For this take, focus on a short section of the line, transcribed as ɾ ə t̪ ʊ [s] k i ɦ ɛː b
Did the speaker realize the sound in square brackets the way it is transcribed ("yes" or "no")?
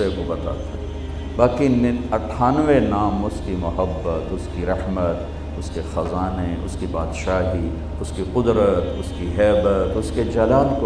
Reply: yes